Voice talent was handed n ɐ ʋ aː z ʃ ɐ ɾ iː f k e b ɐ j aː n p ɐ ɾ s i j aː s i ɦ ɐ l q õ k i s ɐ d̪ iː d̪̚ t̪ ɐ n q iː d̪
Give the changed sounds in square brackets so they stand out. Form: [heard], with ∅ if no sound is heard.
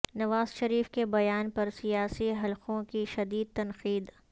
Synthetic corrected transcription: n ɐ ʋ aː z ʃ ɐ ɾ iː f k e b ɐ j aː n p ɐ ɾ s i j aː s i ɦ ɐ l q õ k i [ʃ] ɐ d̪ iː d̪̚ t̪ ɐ n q iː d̪